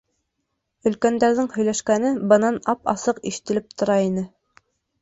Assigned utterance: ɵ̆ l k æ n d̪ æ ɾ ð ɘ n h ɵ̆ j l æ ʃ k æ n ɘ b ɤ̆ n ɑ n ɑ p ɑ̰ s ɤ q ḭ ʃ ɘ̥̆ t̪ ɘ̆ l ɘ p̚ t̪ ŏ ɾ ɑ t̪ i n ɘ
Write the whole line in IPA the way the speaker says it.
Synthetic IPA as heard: ɵ̆ l k æ n d̪ æ ɾ ð ɘ ŋ h ɵ̆ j l æ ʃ k æ n ɘ b ɤ̆ n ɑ n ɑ p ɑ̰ s ɤ q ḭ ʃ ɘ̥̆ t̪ ɘ̆ l ɘ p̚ t̪ ŏ ɾ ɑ i n ɘ